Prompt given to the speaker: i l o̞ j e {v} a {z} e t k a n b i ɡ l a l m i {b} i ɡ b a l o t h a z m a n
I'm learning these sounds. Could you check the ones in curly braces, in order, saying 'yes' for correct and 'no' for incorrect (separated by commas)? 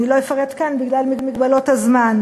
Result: no, no, no